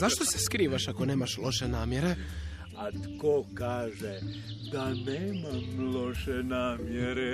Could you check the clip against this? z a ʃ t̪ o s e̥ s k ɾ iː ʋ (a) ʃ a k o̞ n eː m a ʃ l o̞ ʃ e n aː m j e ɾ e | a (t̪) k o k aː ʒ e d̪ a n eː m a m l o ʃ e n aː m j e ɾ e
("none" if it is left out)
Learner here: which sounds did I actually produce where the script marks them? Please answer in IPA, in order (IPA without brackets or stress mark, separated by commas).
a, t̪